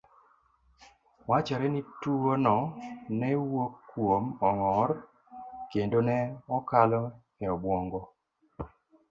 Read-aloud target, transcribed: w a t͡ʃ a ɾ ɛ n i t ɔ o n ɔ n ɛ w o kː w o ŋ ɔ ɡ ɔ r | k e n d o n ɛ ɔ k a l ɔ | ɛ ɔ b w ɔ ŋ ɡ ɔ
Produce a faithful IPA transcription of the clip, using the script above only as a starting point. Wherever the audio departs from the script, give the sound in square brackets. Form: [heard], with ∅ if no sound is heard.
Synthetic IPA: w a t͡ʃ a ɾ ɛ n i t [u] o n ɔ n ɛ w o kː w o [m] ɔ [ŋ] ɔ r | k e n d o n ɛ ɔ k a l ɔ | ɛ ɔ b w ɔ ŋ ɡ ɔ